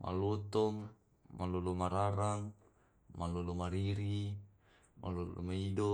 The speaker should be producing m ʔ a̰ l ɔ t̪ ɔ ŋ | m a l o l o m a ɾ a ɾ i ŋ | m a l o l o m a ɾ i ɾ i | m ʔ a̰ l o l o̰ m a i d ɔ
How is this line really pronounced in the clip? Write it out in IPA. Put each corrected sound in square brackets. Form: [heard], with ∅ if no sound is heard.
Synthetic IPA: m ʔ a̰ l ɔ t̪ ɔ ŋ | m a l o l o m a ɾ a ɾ [a] ŋ | m a l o l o m a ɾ i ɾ i | m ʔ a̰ l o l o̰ m a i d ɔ

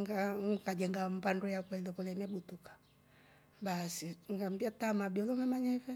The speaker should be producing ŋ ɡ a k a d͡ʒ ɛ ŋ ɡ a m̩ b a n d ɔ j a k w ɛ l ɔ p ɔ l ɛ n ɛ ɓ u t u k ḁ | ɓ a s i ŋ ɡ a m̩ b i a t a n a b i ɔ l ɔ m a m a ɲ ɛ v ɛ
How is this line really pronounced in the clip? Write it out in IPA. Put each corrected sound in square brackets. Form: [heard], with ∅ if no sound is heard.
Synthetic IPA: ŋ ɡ a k a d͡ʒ ɛ ŋ ɡ a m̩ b a n d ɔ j a k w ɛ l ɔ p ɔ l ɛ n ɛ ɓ u t u k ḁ | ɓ a s i ŋ ɡ a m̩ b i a t a [m] a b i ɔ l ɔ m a m a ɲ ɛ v ɛ

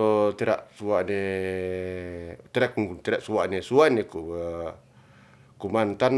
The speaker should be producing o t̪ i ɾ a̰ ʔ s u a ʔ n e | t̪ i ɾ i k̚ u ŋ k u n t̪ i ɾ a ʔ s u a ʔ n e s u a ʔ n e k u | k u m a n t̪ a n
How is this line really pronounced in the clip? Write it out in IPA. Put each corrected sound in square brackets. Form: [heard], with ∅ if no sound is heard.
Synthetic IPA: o t̪ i ɾ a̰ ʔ s u a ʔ n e | t̪ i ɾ [a] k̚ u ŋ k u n t̪ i ɾ a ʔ s u a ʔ n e s u a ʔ n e k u | k u m a n t̪ a n

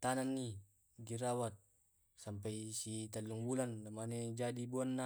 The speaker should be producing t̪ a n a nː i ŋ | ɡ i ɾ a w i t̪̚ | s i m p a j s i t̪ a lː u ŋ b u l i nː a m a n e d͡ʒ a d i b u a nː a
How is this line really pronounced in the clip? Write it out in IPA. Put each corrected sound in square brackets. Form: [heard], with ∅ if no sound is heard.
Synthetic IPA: t̪ a n a nː i [∅] | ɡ i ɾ a w [a] t̪̚ | s [a] m p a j s i t̪ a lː u ŋ b u l [a] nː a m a n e d͡ʒ a d i b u a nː a

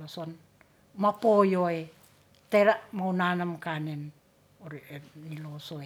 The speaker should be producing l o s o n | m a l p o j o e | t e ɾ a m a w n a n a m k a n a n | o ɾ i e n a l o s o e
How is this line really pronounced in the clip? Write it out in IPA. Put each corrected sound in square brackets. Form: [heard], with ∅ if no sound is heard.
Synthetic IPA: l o s o n | m a [∅] p o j o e | t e ɾ a m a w n a n a m k a n [e] n | o ɾ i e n [i] l o s o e

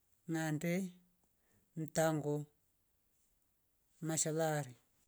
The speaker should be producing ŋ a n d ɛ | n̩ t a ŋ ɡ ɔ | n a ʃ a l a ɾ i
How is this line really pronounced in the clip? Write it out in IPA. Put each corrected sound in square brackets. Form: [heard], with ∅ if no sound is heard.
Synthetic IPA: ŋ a n d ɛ | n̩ t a ŋ ɡ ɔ | [m] a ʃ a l a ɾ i

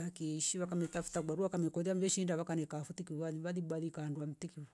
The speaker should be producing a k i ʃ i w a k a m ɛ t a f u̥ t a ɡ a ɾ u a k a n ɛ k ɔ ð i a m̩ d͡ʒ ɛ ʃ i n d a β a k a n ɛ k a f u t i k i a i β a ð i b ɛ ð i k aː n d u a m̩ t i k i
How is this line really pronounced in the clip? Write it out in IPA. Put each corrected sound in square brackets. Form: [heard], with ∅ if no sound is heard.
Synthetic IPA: a k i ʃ i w a k a m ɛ t a f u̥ t a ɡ a ɾ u a k a [m] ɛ k ɔ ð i a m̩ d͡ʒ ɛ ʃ i n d a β a k a n ɛ k a f u t i k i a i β a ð i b [a] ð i k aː n d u a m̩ t i k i

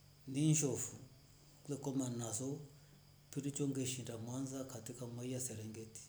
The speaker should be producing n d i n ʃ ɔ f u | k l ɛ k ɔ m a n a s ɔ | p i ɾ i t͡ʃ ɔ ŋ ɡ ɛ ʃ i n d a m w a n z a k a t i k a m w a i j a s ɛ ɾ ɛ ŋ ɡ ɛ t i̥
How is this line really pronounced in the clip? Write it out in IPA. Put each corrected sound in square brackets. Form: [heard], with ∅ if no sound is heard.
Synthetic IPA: n d i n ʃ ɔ f u | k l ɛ k ɔ m a n a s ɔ | p i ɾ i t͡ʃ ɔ ŋ ɡ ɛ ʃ i n d a m w a n z a k a t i k a m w a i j a s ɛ ɾ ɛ ŋ ɡ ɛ t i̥

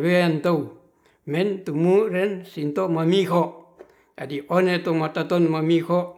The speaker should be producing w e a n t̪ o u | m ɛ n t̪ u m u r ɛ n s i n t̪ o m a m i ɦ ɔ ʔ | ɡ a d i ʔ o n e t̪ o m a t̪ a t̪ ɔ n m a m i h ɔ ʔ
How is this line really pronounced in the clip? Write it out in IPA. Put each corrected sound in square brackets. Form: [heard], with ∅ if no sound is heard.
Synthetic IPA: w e a n t̪ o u | m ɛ n t̪ u m u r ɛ n s i n t̪ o m a m i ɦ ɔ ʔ | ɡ a d i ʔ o n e t̪ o m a t̪ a t̪ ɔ n m a m i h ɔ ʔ

